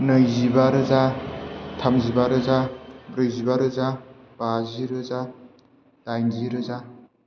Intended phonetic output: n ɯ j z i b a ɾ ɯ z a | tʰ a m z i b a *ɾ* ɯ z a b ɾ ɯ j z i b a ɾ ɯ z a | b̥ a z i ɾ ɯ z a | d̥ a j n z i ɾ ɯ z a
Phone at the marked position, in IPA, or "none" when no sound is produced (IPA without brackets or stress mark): ɾ